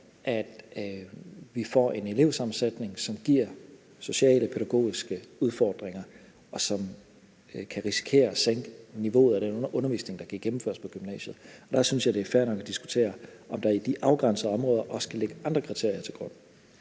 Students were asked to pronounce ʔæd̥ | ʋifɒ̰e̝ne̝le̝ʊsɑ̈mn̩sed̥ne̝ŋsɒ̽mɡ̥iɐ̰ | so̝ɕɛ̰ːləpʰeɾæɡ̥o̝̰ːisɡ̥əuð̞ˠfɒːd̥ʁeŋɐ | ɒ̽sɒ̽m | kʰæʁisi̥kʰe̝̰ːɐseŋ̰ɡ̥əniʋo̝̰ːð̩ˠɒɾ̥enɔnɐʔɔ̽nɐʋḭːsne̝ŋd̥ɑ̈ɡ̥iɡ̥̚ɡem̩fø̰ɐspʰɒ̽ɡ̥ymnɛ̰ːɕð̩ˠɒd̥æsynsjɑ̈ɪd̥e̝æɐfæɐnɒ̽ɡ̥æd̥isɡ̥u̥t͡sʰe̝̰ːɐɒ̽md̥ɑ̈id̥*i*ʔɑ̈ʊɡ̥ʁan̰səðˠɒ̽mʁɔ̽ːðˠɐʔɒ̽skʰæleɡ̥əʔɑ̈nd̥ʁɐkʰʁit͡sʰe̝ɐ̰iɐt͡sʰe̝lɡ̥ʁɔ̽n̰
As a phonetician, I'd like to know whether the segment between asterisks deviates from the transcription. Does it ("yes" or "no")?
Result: no